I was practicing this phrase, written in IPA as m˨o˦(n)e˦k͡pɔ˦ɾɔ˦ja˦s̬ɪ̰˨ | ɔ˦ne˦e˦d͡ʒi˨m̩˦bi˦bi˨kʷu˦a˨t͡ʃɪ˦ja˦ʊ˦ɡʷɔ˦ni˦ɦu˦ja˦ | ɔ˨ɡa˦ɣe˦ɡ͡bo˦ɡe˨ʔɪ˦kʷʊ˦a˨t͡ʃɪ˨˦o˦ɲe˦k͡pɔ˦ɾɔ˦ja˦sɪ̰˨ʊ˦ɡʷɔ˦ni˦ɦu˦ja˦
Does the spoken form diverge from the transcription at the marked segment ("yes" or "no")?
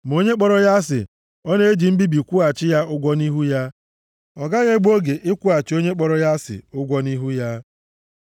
yes